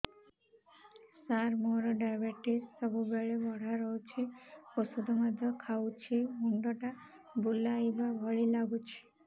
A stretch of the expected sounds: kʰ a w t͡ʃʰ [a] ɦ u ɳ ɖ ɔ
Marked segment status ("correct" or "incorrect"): incorrect